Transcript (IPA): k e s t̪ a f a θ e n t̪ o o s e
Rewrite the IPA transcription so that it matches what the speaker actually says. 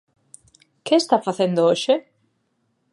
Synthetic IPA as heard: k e s t̪ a f a θ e n d̪ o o ʃ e

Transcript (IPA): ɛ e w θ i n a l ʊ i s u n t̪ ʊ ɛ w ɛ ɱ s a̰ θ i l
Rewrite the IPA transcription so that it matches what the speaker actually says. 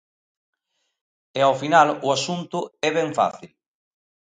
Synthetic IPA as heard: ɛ a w f i n a l ʊ a s u n t̪ ʊ ɛ β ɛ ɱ f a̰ θ i l

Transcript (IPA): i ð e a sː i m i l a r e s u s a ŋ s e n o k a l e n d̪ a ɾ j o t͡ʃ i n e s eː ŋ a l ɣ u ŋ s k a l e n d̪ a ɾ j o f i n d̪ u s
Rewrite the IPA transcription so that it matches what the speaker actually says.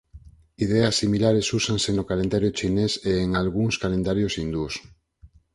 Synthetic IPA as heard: i ð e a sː i m i l a ɾ e s u s a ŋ s e n o k a l e n d̪ a ɾ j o t͡ʃ i n e s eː ŋ a l ɣ u ŋ s k a l e n d̪ a ɾ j o s i n d̪ u s

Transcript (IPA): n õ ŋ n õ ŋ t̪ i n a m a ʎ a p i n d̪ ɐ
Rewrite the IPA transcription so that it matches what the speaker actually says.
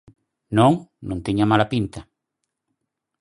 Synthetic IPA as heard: n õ ŋ n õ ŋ t̪ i ɲ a m a l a p i n t̪ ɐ

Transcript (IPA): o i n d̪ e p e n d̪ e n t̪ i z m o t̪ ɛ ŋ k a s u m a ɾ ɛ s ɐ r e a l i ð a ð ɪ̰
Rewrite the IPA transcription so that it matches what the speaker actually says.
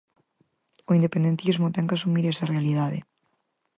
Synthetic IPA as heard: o i n d̪ e p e n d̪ e n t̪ i z m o t̪ ɛ ŋ k a s u m i ɾ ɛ s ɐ r e a l i ð a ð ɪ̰

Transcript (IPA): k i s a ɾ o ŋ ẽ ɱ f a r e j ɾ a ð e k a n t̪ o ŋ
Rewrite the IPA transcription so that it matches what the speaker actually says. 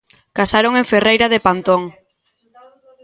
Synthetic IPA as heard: k a s a ɾ o ŋ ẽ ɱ f e r e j ɾ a ð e p a n t̪ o ŋ

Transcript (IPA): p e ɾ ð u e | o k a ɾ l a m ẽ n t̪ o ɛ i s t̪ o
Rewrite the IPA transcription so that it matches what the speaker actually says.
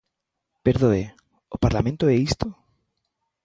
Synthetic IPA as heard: p e ɾ ð o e | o p a ɾ l a m ẽ n t̪ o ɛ i s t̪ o

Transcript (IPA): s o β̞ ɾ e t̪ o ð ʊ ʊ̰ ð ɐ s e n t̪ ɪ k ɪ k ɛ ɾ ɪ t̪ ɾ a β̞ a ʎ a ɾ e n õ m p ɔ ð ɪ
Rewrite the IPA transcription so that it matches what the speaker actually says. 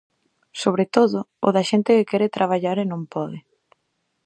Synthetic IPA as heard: s o β̞ ɾ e t̪ o ð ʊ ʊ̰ ð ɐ ʃ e n t̪ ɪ k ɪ k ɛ ɾ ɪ t̪ ɾ a β̞ a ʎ a ɾ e n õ m p ɔ ð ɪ

